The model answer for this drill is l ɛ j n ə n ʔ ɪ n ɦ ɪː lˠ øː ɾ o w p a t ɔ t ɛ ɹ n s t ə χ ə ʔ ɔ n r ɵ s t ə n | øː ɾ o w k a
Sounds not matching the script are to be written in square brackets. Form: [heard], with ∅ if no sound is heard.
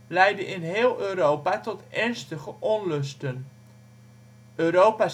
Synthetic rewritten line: l ɛ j [d] ə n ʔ ɪ n ɦ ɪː lˠ øː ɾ o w p a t ɔ t ɛ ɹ n s t ə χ ə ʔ ɔ n [l] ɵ s t ə n | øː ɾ o w [p] a